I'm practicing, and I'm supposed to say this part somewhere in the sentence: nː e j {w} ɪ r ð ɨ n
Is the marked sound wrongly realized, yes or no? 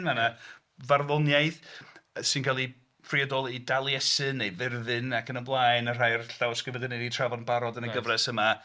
yes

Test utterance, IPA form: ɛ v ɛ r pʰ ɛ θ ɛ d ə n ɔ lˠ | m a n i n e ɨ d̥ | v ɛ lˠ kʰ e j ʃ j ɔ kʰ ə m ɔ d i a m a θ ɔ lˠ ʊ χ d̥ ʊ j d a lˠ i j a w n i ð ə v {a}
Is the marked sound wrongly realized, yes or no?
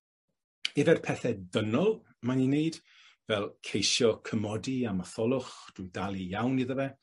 yes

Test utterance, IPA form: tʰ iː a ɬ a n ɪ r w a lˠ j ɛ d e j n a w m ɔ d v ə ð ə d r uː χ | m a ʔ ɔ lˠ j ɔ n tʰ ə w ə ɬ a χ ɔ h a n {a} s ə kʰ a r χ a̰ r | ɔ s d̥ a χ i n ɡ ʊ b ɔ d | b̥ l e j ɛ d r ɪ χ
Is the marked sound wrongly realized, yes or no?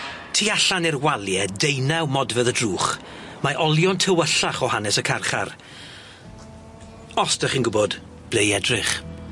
yes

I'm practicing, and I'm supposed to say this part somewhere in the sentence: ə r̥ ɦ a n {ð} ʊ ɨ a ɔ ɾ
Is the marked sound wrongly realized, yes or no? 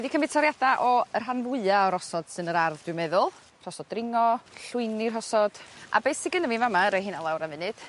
yes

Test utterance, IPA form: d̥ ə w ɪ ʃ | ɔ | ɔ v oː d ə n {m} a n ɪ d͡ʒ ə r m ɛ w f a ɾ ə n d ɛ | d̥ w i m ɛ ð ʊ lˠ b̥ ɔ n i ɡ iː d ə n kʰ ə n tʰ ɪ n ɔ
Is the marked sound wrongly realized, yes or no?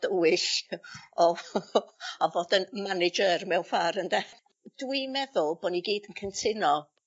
no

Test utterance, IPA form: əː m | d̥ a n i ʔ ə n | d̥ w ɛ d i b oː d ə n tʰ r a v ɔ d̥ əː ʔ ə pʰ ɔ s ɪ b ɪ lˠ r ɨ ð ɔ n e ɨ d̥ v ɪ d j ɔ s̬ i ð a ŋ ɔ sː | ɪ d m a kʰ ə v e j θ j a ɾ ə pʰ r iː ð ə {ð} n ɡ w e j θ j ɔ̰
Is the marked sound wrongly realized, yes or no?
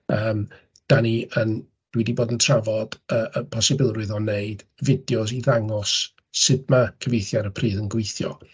yes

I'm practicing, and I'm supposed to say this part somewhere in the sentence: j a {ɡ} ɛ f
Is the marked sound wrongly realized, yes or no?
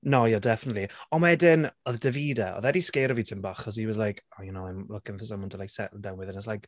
yes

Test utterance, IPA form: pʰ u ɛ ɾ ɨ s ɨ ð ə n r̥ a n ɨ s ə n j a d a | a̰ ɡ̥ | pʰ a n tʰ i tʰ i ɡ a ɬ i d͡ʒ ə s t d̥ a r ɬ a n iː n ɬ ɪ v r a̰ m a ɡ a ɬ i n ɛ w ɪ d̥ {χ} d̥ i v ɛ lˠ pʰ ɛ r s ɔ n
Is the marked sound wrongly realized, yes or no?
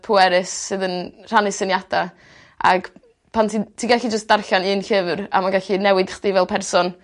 no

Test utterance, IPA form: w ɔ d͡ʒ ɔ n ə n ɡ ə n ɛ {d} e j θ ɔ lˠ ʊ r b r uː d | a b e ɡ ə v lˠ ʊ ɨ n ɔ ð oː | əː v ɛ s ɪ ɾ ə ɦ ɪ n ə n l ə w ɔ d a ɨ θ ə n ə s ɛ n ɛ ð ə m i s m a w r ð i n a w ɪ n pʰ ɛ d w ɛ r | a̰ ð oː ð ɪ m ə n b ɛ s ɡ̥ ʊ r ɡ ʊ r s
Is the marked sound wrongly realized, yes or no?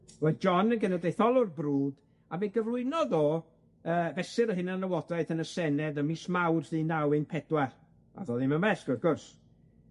no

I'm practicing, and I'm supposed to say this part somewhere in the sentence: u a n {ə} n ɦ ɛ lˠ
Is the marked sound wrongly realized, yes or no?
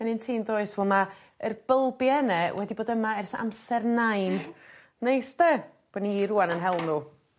no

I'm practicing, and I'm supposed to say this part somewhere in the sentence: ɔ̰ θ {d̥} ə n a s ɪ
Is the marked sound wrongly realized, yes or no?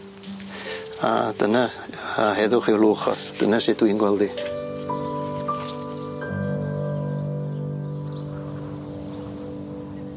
no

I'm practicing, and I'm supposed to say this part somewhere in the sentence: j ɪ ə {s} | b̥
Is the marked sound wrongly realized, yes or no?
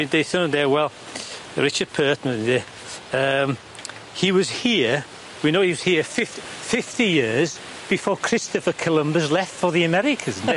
yes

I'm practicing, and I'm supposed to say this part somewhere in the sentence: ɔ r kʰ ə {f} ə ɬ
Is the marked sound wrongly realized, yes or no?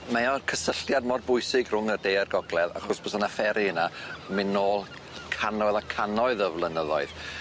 yes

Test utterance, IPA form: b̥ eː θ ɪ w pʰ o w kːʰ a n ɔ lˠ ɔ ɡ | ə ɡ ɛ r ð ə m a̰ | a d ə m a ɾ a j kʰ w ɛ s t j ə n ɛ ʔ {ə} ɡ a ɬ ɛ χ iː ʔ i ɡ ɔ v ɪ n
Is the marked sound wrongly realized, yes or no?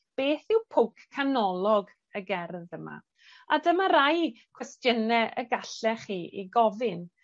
no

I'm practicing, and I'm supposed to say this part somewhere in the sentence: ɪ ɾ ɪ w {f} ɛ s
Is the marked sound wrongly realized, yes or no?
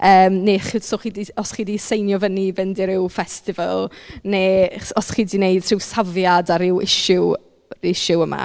no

